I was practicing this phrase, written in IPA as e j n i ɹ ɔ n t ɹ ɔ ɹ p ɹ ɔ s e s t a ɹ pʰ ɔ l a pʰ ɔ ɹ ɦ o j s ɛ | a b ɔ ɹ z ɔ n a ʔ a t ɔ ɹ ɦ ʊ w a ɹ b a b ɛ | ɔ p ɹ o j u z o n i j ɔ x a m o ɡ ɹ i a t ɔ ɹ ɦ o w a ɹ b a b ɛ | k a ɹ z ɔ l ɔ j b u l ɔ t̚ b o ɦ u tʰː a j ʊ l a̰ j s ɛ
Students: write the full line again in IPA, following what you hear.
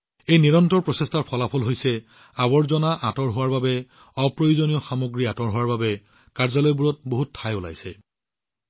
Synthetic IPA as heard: e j n i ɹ ɔ n t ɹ ɔ ɹ p ɹ ɔ s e s t a ɹ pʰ ɔ l a pʰ ɔ l ɦ o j s ɛ | a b ɔ ɹ z ɔ n a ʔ a t ɔ ɹ ɦ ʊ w a ɹ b a b ɛ | ɔ p ɹ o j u z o n i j ɔ x a m o ɡ ɹ i a t ɔ ɹ ɦ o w a ɹ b a b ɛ | k a ɹ z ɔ l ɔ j b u ɹ ɔ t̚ b o ɦ u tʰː a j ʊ l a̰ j s ɛ